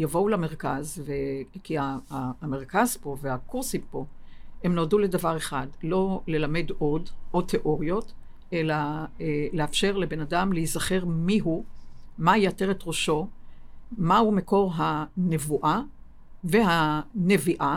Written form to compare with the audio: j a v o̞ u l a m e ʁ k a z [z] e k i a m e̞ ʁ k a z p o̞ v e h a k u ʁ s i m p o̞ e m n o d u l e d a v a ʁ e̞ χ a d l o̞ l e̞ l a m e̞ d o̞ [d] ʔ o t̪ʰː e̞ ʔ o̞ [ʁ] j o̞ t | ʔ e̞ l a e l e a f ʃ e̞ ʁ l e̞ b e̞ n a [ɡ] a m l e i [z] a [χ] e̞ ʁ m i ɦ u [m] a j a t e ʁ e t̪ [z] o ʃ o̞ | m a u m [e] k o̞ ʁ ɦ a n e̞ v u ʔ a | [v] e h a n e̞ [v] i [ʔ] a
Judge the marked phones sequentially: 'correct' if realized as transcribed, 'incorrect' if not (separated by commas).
incorrect, correct, correct, incorrect, correct, correct, correct, incorrect, correct, correct, correct, correct